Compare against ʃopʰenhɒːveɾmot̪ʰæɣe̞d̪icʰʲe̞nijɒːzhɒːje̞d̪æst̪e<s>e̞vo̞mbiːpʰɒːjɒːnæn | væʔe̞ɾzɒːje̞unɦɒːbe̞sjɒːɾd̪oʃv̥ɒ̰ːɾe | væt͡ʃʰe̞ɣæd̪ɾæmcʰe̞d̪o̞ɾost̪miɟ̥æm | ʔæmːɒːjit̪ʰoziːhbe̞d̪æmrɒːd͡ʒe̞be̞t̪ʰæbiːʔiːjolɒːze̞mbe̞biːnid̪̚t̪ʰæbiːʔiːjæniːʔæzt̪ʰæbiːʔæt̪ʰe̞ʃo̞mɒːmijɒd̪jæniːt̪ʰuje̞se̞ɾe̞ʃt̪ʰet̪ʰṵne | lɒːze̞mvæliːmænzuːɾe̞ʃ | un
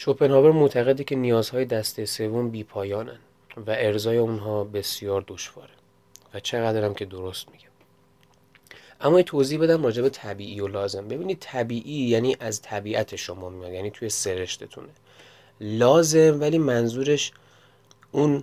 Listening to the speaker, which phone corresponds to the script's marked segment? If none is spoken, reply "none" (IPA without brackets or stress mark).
s